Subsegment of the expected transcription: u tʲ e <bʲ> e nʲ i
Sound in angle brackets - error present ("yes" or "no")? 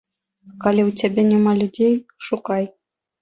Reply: no